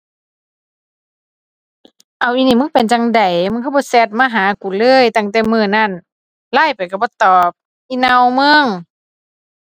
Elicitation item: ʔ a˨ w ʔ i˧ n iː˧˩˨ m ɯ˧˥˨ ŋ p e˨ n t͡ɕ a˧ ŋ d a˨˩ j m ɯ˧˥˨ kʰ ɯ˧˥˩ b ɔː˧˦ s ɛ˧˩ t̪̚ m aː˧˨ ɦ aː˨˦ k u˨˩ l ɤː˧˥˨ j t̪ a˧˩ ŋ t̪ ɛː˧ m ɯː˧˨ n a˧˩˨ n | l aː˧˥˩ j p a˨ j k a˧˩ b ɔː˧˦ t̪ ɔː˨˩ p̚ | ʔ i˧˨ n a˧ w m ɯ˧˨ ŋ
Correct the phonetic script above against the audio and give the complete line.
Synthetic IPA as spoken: ʔ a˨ w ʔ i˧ n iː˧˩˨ m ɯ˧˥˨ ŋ p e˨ n t͡ɕ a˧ ŋ d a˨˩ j m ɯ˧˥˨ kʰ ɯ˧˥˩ b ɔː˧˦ s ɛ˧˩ t̪̚ m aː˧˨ ɦ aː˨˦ k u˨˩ l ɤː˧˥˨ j t̪ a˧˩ ŋ t̪ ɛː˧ m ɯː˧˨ n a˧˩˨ n | l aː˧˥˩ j p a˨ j k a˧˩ b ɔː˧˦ t̪ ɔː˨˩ p̚ | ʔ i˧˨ n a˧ w m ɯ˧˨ ŋ